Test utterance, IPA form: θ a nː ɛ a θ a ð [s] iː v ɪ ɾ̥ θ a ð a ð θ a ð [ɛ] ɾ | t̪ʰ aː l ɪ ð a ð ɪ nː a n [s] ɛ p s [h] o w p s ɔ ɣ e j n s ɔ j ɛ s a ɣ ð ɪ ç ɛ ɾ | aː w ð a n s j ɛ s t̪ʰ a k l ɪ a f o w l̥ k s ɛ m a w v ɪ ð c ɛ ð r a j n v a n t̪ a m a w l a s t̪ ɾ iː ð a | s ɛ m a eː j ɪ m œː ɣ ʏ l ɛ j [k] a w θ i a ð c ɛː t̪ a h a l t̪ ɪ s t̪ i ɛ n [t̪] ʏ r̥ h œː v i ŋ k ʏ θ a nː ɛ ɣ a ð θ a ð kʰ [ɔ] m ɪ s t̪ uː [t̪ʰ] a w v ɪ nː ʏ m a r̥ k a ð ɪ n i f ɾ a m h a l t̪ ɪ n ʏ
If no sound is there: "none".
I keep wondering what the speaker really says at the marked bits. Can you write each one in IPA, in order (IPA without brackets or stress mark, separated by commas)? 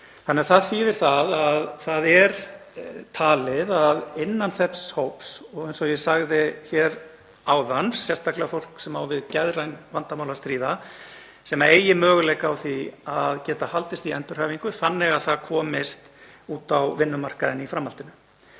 θ, ɛ, θ, h, k, t̪, ɔː, t̪